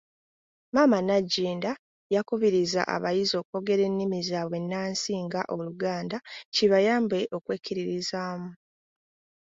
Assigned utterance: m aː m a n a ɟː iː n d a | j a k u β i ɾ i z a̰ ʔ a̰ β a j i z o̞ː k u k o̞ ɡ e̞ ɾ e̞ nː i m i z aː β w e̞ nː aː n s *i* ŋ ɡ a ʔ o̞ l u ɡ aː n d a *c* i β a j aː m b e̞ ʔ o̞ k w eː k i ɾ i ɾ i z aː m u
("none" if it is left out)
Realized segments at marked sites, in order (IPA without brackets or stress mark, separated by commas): iː, c